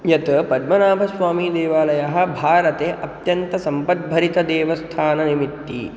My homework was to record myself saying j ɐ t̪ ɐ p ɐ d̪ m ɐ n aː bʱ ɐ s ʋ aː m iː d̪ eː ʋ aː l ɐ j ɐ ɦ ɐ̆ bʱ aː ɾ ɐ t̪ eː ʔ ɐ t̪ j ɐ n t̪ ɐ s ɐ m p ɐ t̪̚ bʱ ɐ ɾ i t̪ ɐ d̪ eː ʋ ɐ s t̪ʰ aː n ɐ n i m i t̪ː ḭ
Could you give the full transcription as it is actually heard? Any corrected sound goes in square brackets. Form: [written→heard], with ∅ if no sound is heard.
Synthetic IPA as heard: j ɐ t̪ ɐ p ɐ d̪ m ɐ n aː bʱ ɐ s ʋ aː m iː d̪ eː ʋ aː l ɐ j ɐ ɦ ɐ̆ bʱ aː ɾ ɐ t̪ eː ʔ ɐ t̪ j ɐ n t̪ ɐ s ɐ m p ɐ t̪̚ bʱ ɐ ɾ i t̪ ɐ d̪ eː ʋ ɐ s t̪ʰ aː n ɐ n i m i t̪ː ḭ